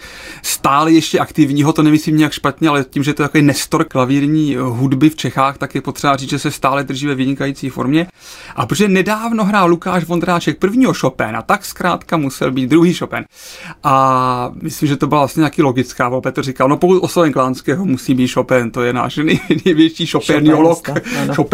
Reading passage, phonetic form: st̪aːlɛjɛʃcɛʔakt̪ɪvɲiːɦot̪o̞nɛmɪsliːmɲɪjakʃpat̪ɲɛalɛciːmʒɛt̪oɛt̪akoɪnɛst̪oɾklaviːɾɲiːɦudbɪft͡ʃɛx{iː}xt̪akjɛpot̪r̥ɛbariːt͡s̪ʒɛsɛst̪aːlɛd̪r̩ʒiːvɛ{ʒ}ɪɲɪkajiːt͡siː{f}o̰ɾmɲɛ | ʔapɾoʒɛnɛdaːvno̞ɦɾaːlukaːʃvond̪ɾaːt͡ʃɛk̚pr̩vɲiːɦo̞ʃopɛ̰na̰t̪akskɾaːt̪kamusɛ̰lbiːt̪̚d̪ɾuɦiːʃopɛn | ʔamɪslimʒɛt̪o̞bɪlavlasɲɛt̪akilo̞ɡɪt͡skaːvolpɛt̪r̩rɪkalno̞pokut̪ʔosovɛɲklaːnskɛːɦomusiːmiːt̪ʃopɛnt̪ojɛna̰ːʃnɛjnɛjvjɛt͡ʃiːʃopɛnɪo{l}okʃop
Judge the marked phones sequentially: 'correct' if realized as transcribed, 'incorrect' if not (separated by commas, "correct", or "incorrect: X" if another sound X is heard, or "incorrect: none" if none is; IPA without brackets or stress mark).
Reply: incorrect: aː, incorrect: v, correct, correct